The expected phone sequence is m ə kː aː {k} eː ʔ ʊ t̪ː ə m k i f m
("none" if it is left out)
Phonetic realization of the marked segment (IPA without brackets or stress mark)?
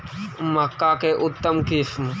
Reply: k